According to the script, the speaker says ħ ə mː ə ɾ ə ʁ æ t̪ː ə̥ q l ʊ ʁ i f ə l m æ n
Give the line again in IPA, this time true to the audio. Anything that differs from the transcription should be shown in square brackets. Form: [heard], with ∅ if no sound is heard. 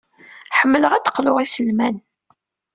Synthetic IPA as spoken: ħ ə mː ə [l] ə ʁ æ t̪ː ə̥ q l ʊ ʁ i [s] ə l m æ n